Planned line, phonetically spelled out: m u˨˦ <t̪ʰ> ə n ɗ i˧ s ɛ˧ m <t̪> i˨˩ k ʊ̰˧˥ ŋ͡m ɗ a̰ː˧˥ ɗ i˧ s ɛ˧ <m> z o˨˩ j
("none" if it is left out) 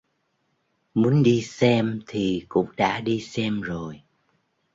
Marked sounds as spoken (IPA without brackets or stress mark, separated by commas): none, t̪ʰ, m